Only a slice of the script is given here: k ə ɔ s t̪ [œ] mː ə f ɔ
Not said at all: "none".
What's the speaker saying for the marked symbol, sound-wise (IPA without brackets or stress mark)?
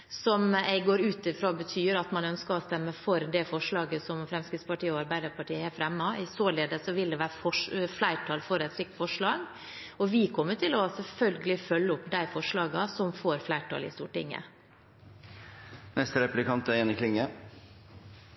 ɛ